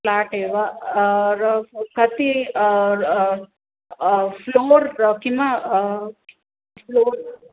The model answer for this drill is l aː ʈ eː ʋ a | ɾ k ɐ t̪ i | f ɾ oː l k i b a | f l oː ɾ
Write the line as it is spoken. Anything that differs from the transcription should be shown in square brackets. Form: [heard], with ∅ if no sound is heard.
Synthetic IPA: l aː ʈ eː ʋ a | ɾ k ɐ t̪ i | f [l] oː [ɾ] k i [m] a | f l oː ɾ